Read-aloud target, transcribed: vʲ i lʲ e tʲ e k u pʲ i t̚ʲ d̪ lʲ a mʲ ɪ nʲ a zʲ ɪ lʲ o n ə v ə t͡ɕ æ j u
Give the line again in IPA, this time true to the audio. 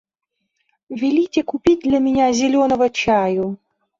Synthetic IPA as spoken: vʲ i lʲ i tʲ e k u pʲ i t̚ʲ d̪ lʲ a mʲ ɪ nʲ a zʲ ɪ lʲ o n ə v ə t͡ɕ a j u